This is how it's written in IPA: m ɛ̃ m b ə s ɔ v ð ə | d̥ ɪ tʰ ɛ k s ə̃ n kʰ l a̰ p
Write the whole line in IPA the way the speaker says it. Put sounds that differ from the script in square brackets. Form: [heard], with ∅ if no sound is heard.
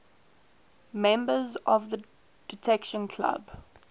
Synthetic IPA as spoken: m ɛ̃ m b ə [z] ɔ v ð ə | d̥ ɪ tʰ ɛ k [ʃ] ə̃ n kʰ l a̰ [b]